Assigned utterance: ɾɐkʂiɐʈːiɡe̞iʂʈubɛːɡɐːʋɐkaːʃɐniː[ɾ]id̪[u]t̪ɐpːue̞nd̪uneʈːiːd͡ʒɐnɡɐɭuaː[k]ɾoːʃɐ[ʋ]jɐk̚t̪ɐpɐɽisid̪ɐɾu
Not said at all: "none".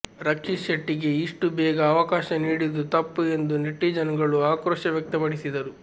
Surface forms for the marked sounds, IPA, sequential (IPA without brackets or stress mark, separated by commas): ɽ, u, k, ʋ